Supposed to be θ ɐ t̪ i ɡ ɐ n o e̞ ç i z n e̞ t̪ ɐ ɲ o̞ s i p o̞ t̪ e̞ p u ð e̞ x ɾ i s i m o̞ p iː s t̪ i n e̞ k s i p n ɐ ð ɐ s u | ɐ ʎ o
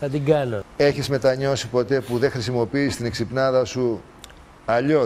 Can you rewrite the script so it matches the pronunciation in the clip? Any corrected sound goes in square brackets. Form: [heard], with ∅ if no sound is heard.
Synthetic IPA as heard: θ ɐ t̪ i ɡ ɐ n o e̞ ç i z [m] e̞ t̪ ɐ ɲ o̞ s i p o̞ t̪ e̞ p u ð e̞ x ɾ i s i m o̞ p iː s t̪ i n e̞ k s i p n ɐ ð ɐ s u | ɐ ʎ o